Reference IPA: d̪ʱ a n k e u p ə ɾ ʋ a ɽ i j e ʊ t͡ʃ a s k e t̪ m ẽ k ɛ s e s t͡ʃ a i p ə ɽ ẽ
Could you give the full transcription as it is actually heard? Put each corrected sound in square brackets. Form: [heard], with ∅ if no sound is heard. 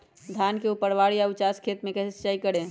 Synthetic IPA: d̪ʱ a n k e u p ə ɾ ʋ a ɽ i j [a] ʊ t͡ʃ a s [kʰ] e t̪ m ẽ k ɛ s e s t͡ʃ a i [k] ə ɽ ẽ